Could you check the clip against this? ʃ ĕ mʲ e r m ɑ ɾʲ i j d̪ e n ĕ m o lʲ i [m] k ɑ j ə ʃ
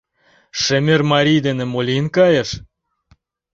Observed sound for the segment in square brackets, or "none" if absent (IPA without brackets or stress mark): n